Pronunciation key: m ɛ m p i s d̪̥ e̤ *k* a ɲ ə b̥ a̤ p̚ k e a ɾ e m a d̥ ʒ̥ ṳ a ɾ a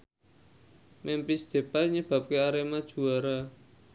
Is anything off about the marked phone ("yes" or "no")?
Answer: yes